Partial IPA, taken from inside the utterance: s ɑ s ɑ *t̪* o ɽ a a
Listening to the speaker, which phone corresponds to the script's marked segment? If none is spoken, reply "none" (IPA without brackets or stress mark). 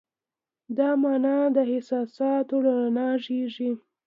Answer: t̪